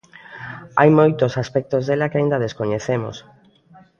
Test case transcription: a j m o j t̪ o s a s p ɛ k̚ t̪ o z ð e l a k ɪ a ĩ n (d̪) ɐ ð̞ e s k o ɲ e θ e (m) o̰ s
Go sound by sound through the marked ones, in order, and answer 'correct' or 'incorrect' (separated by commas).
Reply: correct, correct